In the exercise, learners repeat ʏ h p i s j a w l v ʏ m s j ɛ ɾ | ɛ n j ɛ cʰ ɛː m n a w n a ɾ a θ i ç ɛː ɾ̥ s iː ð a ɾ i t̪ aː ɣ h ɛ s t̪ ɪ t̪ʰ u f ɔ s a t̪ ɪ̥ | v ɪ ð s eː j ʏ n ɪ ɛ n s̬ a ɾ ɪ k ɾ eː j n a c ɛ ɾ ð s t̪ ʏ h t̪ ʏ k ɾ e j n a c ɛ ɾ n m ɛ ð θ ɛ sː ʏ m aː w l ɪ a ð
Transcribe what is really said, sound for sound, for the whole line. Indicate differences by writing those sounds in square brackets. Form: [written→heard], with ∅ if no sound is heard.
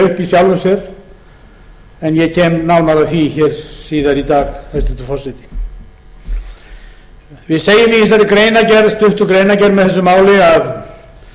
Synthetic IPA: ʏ h p i s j a w l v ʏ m s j ɛ ɾ | ɛ n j ɛ cʰ ɛː m n a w n a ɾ a θ i ç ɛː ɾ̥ s iː ð a ɾ i t̪ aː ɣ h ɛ s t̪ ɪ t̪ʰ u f ɔ s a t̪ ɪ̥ | v ɪ ð s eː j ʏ [n→m] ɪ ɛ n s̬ a ɾ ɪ k ɾ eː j n a c ɛ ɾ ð s t̪ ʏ h t̪ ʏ k ɾ e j n a c ɛ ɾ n m ɛ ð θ ɛ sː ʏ m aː w l ɪ a ð